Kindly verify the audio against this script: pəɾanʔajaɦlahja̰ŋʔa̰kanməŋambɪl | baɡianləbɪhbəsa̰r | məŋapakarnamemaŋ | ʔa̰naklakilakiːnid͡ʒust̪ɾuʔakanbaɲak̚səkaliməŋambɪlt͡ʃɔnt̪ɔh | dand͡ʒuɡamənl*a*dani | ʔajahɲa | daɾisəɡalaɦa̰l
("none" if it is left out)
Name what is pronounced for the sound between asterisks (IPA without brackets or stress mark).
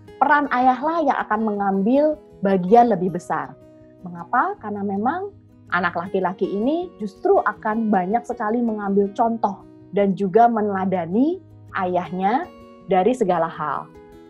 a